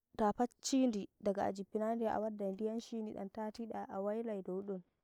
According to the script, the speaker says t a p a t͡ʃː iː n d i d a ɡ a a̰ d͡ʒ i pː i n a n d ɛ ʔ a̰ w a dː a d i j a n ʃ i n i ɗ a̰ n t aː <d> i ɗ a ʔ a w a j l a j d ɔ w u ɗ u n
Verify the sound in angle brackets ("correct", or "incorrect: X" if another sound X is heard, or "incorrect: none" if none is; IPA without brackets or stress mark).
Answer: incorrect: t